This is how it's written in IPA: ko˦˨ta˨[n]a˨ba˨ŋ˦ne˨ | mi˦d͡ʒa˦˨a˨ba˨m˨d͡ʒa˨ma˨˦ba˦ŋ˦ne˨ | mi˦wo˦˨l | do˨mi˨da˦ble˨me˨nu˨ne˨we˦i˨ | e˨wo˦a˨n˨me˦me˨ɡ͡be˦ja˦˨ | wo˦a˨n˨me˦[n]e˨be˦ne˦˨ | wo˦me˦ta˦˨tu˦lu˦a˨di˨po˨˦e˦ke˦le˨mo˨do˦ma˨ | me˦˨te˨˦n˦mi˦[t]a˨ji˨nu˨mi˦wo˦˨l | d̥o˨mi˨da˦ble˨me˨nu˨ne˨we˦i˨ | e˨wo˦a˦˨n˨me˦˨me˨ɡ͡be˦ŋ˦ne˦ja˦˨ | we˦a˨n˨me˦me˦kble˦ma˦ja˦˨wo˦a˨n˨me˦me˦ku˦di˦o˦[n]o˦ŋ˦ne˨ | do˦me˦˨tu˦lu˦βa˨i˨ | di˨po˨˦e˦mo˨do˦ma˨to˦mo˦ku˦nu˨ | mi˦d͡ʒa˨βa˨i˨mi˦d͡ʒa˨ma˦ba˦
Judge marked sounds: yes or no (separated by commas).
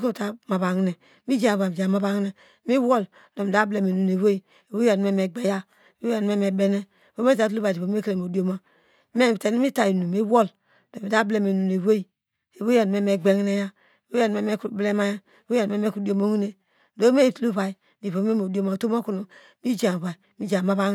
no, no, yes, no